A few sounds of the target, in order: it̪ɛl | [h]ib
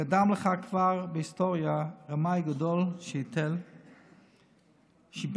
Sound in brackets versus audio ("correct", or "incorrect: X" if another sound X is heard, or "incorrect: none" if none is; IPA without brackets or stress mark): incorrect: ʃ